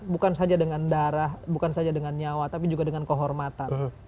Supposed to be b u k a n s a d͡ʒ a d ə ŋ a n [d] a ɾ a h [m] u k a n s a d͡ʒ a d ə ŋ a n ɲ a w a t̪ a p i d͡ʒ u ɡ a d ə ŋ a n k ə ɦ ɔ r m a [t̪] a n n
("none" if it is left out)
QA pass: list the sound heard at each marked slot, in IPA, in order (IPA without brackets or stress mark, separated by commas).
d, b, t̪